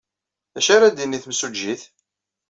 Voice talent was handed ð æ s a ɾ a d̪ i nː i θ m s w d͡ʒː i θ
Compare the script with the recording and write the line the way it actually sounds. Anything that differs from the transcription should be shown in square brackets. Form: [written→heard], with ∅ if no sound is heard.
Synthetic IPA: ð æ [s→ʃ] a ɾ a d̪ i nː i θ m s [w→u] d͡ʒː i θ